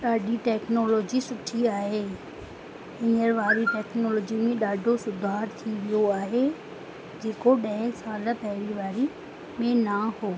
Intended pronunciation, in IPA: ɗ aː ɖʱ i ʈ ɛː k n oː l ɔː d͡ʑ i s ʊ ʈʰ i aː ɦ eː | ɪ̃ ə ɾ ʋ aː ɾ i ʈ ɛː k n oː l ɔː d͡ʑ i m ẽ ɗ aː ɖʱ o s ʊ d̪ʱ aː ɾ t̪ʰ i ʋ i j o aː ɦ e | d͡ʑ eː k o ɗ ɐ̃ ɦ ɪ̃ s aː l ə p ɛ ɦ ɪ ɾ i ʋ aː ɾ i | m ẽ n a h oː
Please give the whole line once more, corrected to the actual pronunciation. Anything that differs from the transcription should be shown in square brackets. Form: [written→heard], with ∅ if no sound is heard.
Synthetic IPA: ɗ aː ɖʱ i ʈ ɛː k n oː l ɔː d͡ʑ i s ʊ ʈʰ i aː ɦ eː | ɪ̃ ə ɾ ʋ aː ɾ i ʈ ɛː k n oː l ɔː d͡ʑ i m ẽ ɗ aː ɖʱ o s ʊ d̪ʱ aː ɾ t̪ʰ i ʋ i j o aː ɦ e | d͡ʑ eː k o ɗ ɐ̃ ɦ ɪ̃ s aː l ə p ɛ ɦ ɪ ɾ i ʋ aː ɾ i | m ẽ n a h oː